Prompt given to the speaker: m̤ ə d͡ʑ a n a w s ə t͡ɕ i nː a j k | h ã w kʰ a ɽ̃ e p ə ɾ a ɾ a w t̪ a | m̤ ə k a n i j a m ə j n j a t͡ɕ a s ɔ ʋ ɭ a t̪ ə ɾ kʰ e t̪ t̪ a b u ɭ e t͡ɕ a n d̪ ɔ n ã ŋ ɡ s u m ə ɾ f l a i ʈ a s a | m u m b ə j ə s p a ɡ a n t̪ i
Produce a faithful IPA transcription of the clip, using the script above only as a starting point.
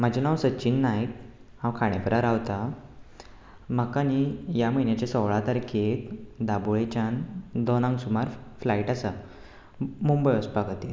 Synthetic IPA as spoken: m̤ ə d͡ʑ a n a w s ə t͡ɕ i nː a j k | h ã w kʰ a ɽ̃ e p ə ɾ a ɾ a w t̪ a | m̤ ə k a n i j a m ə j n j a t͡ɕ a s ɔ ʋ ɭ a t̪ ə ɾ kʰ e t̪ d̪ a b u ɭ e t͡ɕ a n d̪ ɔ n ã ŋ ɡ s u m a ɾ f l a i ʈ a s a | m u m b ə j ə s p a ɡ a t̪ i